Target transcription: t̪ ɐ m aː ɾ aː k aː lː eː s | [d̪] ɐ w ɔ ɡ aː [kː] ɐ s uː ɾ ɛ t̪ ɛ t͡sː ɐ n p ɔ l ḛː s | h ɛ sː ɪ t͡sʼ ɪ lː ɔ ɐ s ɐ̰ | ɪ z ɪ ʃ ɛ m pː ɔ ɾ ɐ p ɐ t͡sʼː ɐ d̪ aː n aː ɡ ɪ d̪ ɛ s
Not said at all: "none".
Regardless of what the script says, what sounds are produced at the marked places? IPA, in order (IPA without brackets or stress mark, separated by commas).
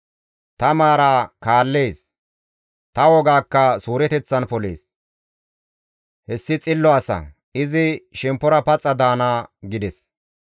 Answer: t̪, kː